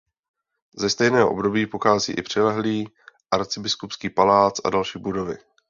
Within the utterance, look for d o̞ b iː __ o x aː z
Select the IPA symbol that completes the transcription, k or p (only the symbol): p